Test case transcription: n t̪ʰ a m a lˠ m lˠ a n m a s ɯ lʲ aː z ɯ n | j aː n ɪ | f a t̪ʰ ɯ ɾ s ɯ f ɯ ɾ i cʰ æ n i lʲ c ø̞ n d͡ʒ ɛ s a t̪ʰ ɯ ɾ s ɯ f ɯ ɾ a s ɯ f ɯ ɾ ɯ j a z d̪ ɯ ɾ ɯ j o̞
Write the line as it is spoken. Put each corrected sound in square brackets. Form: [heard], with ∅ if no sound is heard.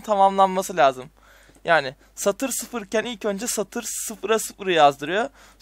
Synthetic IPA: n t̪ʰ a m a [∅] m lˠ a n m a s ɯ lʲ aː z ɯ [m] | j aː n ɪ | [s] a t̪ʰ ɯ ɾ s ɯ f ɯ ɾ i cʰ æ n i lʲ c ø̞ n d͡ʒ ɛ s a t̪ʰ ɯ ɾ s ɯ f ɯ ɾ a s ɯ f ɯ ɾ ɯ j a z d̪ ɯ ɾ ɯ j o̞